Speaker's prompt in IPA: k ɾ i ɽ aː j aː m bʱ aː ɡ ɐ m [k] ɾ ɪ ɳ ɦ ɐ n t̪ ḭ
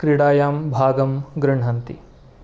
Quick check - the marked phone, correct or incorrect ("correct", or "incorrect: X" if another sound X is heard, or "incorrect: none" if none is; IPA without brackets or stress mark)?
incorrect: ɡ